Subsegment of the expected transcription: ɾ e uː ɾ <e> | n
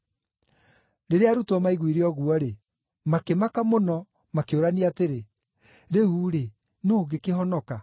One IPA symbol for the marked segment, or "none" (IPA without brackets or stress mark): e